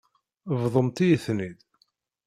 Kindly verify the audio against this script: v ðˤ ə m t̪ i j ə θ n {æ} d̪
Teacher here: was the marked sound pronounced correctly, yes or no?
no